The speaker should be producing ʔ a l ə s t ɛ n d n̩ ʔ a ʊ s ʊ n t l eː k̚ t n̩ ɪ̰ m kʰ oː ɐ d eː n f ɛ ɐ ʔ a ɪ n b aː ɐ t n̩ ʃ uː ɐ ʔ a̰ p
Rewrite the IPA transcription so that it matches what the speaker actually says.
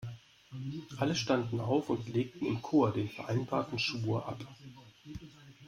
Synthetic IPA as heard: ʔ a l ə ʃ t a n d n̩ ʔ a ʊ f ʊ n t l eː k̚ t n̩ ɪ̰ m kʰ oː ɐ d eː n f ɛ ɐ ʔ a ɪ n b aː ɐ t n̩ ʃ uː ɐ ʔ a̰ p